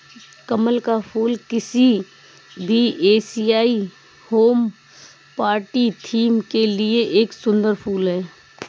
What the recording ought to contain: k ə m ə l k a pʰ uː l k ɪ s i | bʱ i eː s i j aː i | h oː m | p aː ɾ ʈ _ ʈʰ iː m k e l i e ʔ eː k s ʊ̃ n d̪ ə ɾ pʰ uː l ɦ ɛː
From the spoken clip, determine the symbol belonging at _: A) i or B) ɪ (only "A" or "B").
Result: A